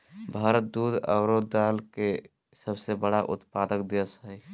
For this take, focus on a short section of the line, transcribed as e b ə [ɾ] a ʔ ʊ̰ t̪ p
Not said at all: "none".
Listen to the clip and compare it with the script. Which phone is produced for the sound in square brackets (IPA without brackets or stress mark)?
ɽ